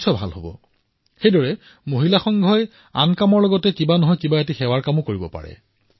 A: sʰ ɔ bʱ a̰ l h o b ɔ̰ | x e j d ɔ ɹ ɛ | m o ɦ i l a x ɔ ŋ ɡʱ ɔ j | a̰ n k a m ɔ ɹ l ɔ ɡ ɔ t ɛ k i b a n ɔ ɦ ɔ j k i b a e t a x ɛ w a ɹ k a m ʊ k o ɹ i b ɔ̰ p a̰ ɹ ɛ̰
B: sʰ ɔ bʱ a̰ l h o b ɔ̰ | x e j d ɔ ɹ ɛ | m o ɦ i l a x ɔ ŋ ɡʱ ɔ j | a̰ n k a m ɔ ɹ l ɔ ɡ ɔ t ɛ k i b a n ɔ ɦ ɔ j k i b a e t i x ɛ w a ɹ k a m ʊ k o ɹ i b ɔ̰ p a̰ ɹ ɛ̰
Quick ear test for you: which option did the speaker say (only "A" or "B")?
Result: B